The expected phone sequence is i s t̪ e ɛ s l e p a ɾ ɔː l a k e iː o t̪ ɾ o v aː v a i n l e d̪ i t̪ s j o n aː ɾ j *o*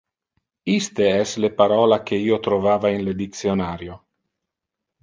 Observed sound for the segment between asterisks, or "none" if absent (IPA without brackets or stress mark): o